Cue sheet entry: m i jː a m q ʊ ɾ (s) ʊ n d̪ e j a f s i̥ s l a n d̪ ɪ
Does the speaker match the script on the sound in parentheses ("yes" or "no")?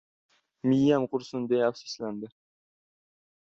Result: yes